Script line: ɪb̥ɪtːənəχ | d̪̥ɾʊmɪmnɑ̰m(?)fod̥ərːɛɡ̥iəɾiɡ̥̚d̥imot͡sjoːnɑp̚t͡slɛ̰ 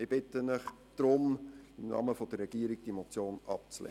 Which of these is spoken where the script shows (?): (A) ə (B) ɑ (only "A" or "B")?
A